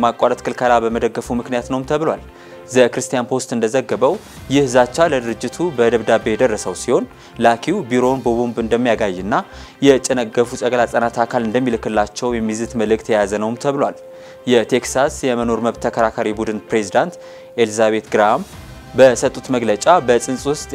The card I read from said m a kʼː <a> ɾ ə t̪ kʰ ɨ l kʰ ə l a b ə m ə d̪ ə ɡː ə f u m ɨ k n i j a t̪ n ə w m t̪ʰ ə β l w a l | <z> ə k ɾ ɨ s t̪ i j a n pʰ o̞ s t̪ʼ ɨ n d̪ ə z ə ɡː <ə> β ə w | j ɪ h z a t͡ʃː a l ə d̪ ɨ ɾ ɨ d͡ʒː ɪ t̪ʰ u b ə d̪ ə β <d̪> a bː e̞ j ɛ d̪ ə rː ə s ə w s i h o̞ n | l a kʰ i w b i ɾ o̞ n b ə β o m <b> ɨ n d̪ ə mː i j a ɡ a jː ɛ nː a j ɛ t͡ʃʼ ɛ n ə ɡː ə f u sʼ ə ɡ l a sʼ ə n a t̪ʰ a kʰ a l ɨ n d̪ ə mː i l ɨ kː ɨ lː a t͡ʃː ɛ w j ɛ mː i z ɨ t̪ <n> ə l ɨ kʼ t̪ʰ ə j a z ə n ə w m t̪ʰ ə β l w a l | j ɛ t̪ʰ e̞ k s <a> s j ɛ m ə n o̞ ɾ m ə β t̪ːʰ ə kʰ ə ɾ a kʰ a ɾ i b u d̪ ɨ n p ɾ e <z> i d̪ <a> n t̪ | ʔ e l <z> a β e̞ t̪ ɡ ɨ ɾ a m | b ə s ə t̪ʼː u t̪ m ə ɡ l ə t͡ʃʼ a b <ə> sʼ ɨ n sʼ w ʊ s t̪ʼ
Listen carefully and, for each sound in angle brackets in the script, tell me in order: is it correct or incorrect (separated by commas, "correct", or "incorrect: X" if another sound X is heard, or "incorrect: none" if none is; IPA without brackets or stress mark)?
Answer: correct, correct, correct, correct, correct, incorrect: m, correct, correct, correct, correct, correct